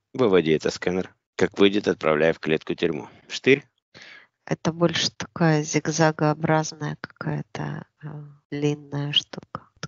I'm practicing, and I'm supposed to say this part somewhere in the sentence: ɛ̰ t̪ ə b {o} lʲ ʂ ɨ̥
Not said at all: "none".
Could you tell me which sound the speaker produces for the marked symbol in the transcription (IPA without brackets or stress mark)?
o